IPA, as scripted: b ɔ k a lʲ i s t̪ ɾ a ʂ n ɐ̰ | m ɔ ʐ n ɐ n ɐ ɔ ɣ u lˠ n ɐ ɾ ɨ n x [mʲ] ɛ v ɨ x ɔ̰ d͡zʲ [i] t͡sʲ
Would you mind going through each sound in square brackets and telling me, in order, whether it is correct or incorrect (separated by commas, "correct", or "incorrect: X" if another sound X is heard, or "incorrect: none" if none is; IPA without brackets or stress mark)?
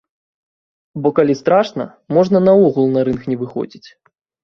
incorrect: nʲ, correct